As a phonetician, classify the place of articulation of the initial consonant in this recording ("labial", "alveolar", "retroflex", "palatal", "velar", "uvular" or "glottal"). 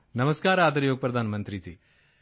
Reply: alveolar